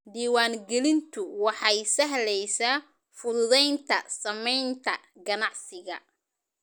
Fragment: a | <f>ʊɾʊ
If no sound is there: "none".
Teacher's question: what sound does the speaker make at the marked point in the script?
f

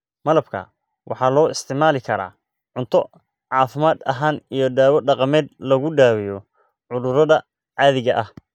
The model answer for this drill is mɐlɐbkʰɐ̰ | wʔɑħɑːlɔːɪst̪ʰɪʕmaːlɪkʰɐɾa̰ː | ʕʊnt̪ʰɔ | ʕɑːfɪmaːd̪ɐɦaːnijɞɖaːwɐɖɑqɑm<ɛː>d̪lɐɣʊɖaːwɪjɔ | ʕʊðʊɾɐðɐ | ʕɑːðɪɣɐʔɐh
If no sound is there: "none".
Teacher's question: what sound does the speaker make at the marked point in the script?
ɛː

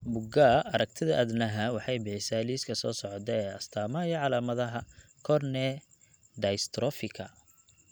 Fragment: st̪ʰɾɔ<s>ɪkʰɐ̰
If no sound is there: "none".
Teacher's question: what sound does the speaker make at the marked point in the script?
f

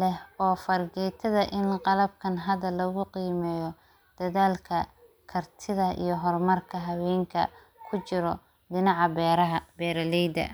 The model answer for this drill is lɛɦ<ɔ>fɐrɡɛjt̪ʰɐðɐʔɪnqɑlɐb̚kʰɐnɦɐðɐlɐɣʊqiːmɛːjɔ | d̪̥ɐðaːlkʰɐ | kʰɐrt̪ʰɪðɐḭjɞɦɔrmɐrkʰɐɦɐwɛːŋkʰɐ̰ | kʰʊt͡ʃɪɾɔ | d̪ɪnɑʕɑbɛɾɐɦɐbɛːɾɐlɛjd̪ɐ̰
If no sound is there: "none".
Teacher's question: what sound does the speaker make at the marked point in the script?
ɔː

